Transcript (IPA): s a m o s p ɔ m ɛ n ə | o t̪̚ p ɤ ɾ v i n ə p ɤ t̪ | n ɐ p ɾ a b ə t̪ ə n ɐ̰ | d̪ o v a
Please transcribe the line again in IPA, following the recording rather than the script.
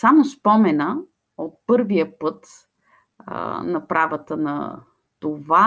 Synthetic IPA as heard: s a m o s p ɔ m ɛ n ə | o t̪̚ p ɤ ɾ v i ə p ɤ t̪ | n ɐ p ɾ a v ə t̪ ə n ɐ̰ | t̪ o v a